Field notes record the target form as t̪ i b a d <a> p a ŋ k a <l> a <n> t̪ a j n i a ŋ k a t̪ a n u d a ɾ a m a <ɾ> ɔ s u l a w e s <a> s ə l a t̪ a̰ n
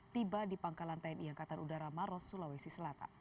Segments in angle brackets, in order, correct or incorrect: incorrect, correct, correct, correct, incorrect

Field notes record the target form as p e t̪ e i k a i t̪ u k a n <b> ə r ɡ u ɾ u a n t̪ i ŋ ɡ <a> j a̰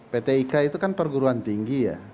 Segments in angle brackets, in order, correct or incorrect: incorrect, incorrect

